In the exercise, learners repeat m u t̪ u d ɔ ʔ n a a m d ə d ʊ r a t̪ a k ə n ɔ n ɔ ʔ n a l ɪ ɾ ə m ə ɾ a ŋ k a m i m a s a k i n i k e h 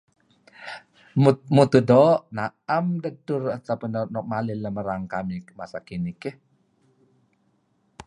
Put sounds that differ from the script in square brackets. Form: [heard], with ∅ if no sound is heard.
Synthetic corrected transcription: m u t̪ u d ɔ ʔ n a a m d ə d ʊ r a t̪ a [p] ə n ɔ n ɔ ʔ [m] a l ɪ [l] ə m ə ɾ a ŋ k a m i m a s a k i n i k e h